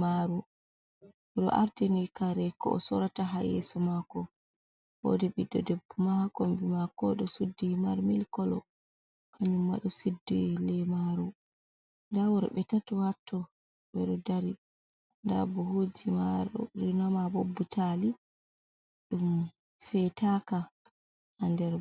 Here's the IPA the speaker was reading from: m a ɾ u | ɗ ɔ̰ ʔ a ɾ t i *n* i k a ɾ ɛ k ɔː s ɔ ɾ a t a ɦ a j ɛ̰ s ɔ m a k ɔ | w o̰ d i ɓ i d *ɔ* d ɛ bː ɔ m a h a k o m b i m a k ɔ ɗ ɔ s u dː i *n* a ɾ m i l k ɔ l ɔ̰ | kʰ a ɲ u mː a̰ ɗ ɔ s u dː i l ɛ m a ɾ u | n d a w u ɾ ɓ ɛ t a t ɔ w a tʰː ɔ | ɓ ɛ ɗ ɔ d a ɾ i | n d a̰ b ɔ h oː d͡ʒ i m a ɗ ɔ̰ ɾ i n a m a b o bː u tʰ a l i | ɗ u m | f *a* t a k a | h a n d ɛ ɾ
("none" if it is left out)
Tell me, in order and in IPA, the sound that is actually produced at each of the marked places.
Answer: n, ɔ, m, ɛ

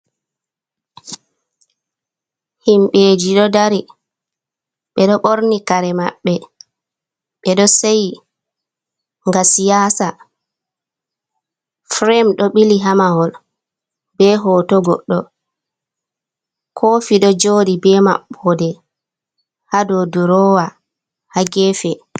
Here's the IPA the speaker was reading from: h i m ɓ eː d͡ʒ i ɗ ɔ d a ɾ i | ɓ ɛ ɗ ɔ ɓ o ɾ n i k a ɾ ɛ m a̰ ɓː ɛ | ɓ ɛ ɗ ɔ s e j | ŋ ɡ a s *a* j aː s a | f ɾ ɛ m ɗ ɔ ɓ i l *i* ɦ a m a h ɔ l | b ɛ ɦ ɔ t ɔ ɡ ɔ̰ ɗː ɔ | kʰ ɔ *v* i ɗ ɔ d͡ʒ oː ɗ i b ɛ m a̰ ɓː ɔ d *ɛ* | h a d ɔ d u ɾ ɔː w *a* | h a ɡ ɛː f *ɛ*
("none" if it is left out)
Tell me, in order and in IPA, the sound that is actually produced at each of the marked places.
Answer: i, i, f, ɛ, a, ɛ

